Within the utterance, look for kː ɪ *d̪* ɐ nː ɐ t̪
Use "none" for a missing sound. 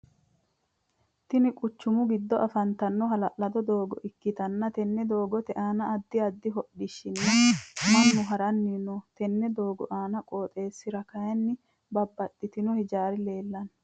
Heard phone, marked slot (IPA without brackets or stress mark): t̪